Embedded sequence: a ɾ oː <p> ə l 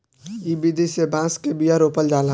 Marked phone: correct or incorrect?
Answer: correct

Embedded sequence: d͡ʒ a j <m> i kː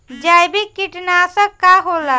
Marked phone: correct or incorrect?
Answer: incorrect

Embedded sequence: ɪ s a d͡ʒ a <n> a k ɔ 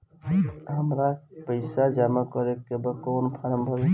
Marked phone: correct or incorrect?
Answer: incorrect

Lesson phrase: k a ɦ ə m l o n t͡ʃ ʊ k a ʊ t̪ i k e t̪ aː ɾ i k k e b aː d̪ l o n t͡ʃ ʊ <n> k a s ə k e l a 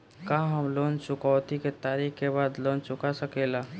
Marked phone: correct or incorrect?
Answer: incorrect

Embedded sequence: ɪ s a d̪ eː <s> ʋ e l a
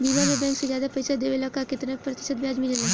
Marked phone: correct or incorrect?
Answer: incorrect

